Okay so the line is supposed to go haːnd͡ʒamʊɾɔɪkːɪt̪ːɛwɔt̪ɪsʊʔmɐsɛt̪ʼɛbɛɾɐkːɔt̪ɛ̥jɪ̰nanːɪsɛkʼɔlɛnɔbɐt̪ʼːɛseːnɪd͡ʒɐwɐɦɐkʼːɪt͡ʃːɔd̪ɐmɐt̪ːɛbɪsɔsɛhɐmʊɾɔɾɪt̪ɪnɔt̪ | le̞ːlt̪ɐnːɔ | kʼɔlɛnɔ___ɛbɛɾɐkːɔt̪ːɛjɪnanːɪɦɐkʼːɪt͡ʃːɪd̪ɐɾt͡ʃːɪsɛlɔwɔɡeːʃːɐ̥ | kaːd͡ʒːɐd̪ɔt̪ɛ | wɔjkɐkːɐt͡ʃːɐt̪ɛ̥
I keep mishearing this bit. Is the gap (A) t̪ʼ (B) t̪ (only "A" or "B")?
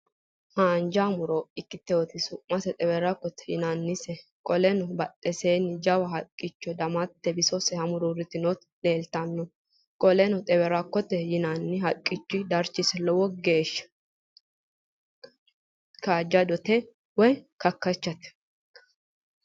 A